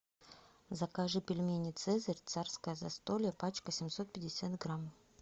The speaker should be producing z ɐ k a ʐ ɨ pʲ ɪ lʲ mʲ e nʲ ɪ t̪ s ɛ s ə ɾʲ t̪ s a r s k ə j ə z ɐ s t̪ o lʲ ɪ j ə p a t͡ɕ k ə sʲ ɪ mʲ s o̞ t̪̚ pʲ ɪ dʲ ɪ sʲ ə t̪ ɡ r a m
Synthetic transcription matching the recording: z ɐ k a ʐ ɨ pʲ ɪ lʲ mʲ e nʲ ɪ t̪ s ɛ z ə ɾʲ t̪ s a r s k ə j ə z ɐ s t̪ o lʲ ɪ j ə p a t͡ɕ k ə sʲ ɪ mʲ s o̞ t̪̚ pʲ ɪ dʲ ɪ sʲ a t̪ ɡ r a m